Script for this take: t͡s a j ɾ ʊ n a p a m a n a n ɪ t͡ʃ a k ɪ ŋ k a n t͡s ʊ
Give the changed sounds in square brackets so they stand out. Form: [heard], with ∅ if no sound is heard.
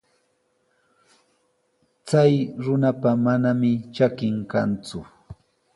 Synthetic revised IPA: t͡s a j ɾ ʊ n a p a m a n a [m] ɪ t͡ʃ a k ɪ ŋ k a n t͡s ʊ